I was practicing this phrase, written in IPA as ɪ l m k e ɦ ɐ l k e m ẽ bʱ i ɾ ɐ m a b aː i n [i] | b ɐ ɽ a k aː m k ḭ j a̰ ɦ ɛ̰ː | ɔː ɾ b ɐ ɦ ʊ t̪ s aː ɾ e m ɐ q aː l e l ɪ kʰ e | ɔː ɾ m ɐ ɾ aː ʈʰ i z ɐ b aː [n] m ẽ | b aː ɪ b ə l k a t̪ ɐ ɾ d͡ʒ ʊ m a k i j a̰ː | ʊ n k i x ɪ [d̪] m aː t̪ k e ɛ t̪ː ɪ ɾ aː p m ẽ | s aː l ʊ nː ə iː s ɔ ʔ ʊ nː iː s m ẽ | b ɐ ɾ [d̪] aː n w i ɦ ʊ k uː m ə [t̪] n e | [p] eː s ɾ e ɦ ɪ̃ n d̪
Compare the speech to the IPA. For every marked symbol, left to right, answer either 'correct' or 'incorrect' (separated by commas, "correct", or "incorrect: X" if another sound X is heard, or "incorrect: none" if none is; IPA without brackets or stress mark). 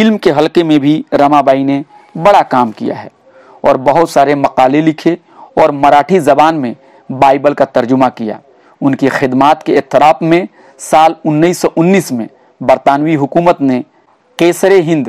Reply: incorrect: e, correct, correct, incorrect: t̪, correct, incorrect: q